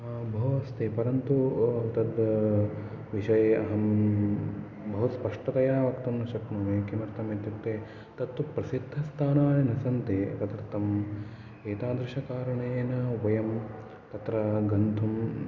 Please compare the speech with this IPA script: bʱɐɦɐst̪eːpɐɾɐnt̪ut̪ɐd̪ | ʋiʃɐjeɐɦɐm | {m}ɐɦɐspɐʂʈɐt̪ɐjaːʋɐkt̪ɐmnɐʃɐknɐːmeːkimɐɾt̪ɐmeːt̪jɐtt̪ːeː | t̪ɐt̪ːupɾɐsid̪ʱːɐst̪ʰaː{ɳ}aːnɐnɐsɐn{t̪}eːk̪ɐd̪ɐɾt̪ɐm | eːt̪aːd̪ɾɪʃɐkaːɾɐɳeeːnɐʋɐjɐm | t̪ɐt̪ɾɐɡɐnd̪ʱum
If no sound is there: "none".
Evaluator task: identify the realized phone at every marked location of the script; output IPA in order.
b, n, t̪

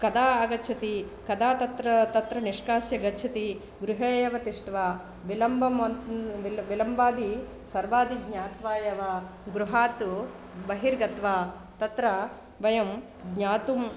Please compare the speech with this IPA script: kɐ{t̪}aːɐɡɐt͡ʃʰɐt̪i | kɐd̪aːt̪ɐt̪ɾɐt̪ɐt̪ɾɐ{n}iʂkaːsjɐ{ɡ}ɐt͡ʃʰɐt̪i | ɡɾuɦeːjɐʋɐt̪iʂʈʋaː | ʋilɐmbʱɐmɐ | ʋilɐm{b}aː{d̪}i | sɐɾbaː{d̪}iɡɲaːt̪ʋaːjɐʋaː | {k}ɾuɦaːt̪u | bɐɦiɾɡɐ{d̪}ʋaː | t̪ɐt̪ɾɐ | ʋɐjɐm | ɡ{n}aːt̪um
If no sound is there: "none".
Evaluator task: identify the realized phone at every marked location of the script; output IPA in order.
d̪, n, ɡ, b, d̪, d̪, ɡ, t̪, ɲ

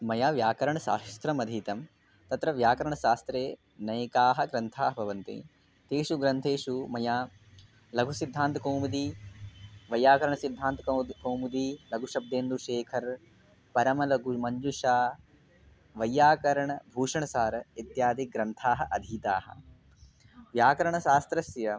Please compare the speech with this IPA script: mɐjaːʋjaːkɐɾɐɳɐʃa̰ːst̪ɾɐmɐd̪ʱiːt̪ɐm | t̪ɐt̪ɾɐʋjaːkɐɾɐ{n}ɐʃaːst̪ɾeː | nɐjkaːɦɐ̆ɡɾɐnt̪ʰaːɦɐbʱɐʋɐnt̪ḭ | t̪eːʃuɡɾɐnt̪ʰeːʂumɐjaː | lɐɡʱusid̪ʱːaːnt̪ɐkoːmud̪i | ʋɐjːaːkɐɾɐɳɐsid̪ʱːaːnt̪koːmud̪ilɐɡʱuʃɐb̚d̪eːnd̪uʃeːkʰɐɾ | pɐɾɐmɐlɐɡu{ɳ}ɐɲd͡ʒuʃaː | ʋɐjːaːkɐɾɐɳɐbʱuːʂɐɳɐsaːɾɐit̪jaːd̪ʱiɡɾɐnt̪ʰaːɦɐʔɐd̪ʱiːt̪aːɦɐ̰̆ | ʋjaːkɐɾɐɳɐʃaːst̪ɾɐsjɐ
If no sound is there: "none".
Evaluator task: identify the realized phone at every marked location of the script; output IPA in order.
ɳ, m

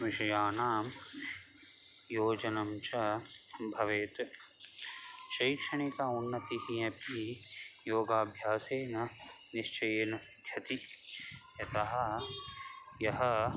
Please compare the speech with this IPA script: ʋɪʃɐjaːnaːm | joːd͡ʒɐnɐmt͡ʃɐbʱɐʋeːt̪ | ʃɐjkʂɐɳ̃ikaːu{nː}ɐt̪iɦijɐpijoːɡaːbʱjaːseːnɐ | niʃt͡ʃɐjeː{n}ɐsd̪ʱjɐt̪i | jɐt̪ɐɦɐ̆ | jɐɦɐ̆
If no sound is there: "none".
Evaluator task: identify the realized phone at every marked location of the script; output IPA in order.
nː, n

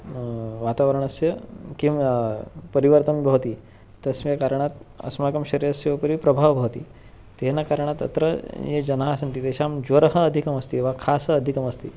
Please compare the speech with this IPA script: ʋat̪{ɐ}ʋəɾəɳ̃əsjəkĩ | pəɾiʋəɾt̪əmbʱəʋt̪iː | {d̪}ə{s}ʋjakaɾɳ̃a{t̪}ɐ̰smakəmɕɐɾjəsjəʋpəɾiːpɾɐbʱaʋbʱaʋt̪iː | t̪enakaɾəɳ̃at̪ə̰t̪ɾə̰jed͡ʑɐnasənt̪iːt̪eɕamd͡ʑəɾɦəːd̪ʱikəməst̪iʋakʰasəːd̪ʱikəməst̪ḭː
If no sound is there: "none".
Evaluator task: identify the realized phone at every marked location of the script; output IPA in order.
a, t̪, s, t̪

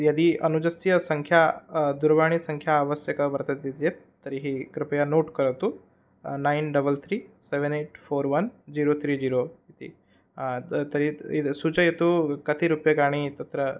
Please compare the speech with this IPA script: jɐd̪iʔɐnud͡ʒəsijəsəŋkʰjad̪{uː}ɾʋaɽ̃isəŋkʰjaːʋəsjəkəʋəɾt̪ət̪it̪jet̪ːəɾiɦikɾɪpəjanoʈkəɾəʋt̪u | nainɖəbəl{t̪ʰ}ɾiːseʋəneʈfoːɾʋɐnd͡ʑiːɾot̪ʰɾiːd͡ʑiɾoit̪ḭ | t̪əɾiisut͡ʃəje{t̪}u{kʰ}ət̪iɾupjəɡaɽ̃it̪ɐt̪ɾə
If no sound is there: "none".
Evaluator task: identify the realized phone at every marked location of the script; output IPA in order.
u, t̪ʰ, t̪, k

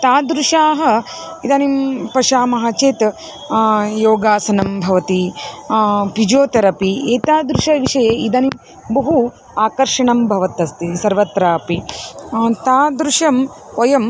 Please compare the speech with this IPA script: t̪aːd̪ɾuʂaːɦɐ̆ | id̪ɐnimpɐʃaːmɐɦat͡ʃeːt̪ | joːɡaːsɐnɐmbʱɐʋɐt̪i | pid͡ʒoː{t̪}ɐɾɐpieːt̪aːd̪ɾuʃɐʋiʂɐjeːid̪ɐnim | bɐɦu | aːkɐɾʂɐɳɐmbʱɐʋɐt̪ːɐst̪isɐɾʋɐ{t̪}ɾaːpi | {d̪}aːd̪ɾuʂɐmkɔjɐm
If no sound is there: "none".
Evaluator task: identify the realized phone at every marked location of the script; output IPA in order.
t̪, t̪, t̪

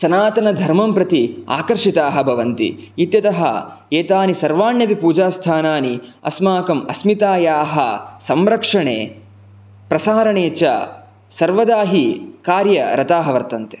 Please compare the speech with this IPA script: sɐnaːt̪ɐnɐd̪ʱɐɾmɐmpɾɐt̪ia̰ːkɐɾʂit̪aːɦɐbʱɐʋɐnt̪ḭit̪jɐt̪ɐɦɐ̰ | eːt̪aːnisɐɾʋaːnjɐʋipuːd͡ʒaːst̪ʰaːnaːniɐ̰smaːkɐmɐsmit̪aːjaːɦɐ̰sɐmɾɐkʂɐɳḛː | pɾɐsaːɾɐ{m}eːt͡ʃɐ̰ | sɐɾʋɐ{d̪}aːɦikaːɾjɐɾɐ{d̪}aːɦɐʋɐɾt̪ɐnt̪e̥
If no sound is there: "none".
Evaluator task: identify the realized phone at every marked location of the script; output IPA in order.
ɳ, d̪, t̪

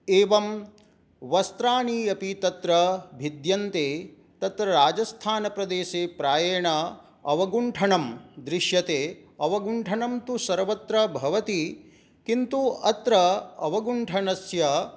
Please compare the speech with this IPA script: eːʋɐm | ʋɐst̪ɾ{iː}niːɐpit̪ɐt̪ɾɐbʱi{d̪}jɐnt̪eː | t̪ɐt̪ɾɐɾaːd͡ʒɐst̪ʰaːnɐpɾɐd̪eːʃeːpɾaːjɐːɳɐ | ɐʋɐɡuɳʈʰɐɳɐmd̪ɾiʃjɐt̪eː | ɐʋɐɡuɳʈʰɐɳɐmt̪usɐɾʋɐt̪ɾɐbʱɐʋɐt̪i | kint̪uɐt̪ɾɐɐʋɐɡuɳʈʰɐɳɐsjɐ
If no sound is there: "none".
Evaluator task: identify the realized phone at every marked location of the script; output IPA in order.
aː, d̪

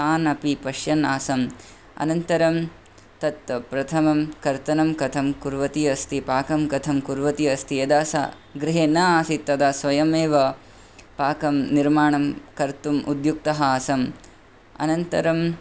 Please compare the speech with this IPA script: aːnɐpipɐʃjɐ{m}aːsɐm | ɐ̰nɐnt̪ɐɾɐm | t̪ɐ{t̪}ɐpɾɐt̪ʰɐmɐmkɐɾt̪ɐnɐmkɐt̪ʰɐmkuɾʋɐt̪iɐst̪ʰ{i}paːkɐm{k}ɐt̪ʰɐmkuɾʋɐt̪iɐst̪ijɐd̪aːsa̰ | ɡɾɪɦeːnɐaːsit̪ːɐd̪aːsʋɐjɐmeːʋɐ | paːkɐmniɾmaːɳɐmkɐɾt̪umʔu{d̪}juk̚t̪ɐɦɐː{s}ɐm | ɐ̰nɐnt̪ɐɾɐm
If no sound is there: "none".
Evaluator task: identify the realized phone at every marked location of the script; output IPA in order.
n, t̪, i, k, d̪, s

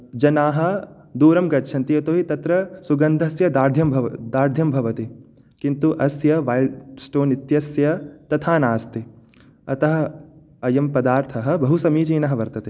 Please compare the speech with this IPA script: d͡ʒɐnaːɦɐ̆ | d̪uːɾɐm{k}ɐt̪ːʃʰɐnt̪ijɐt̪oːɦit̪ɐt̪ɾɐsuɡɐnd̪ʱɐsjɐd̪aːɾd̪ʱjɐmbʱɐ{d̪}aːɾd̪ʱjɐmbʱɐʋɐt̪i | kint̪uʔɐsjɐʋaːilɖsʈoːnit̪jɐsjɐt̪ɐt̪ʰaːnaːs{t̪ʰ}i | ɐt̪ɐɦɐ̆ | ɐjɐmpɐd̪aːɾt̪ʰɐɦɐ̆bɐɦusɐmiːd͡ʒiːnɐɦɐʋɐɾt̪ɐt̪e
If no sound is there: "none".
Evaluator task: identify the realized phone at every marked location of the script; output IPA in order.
ɡ, d̪, t̪

